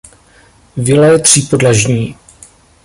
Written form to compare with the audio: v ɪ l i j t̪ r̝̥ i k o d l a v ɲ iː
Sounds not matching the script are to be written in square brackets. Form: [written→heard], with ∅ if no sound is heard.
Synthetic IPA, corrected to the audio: v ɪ l [i→ɛ] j t̪ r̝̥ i [k→p] o d l a [v→ʒ] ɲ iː